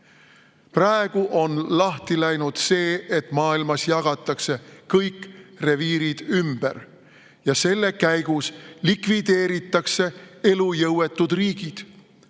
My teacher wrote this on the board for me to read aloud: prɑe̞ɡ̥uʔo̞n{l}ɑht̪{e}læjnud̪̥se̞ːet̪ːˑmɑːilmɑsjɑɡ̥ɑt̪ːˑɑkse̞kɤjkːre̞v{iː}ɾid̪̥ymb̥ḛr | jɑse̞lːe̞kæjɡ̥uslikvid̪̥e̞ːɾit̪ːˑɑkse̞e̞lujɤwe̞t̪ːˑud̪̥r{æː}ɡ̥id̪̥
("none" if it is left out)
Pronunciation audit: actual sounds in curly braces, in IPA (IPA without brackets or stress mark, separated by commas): l, i, iː, iː